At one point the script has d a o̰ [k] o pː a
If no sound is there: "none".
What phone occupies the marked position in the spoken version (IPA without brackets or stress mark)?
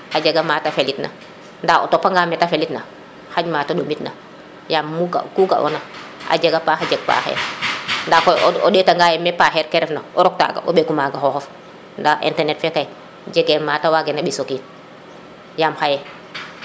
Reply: t